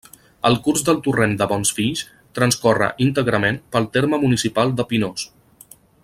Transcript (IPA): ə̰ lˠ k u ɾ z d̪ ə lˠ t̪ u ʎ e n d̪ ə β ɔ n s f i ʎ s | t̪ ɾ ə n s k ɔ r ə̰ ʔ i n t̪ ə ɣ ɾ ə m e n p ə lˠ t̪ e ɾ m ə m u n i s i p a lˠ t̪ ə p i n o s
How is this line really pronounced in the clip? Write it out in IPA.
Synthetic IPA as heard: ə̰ lˠ k u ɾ z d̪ ə lˠ t̪ u r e n d̪ ə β ɔ n s f i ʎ s | t̪ ɾ ə n s k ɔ r ə̰ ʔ i n t̪ ə ɣ ɾ ə m e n p ə lˠ t̪ e ɾ m ə m u n i s i p a lˠ d̪ ə p i n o s